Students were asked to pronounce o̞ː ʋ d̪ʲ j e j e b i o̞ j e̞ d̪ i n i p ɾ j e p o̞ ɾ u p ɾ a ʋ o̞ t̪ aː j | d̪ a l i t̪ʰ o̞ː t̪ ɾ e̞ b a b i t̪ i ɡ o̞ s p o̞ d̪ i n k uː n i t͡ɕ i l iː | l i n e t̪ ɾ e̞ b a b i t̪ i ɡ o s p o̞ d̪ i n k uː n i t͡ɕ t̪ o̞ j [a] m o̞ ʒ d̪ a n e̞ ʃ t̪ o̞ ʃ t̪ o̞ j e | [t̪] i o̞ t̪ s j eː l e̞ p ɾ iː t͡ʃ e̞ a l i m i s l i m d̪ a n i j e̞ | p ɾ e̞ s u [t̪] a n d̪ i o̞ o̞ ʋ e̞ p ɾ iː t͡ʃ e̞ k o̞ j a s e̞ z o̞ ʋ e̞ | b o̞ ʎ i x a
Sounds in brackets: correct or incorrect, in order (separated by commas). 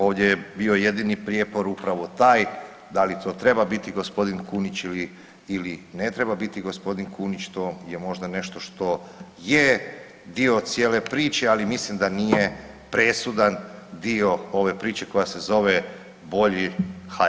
incorrect, incorrect, incorrect